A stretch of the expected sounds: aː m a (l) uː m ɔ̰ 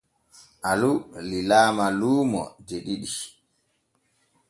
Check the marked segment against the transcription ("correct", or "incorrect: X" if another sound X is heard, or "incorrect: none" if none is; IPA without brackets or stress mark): correct